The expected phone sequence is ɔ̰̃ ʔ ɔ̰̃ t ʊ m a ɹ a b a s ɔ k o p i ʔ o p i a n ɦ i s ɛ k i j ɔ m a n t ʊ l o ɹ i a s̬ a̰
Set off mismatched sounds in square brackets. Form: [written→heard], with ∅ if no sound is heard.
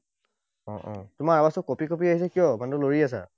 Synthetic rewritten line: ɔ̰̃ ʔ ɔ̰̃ t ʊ m a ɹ a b a s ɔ k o p i [ʔ→k] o p i a [n→∅] ɦ i s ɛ k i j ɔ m a n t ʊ l o ɹ i a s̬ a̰